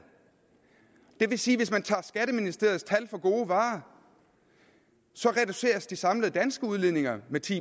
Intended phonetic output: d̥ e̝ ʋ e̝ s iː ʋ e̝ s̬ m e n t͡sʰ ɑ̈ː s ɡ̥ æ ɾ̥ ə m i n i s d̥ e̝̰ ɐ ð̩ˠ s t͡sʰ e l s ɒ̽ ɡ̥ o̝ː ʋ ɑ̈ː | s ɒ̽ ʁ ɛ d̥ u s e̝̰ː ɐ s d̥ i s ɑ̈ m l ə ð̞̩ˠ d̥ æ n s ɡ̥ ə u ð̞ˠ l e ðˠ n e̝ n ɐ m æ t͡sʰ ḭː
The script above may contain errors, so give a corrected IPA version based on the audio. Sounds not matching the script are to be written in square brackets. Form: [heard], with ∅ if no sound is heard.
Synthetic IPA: d̥ e̝ ʋ e̝ s iː ʋ e̝ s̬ m [æ] n t͡sʰ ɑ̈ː s ɡ̥ æ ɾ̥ ə m i n i s d̥ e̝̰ ɐ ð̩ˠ s t͡sʰ [æ] l [f] ɒ̽ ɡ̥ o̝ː ʋ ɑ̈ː | s ɒ̽ ʁ ɛ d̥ u s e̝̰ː ɐ s d̥ i s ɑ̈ m l ə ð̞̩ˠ d̥ æ n s ɡ̥ ə u ð̞ˠ l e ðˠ n e̝ [ŋ] ɐ m [e] t͡sʰ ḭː